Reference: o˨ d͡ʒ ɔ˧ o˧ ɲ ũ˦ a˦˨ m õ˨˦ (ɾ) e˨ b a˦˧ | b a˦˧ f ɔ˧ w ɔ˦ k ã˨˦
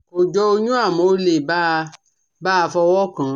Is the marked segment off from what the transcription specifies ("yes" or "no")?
yes